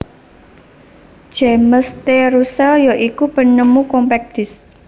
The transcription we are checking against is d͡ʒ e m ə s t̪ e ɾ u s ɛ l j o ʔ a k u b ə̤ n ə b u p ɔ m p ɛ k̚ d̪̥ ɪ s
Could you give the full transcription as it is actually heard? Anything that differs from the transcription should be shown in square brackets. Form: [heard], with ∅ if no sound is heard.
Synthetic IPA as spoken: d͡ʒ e m ə s t̪ e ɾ u s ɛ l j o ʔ [i] k u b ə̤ n ə [m] u [k] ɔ m p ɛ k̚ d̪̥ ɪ s